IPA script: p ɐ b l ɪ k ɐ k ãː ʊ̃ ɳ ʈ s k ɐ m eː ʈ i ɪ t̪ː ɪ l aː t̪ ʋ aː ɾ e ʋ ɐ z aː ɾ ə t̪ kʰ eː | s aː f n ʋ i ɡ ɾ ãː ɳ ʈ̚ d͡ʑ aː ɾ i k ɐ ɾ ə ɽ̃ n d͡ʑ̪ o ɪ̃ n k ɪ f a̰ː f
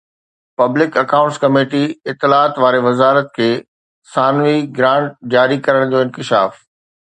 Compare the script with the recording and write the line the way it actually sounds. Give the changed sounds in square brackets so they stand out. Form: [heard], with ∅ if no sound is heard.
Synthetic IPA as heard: p ɐ b l ɪ k ɐ k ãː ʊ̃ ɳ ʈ s k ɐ m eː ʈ i ɪ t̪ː ɪ l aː t̪ ʋ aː ɾ e ʋ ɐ z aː ɾ ə t̪ kʰ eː | s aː [∅] n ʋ i ɡ ɾ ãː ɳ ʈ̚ d͡ʑ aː ɾ i k ɐ ɾ ə ɽ̃ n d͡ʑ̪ o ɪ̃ n k ɪ [ʃ] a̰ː f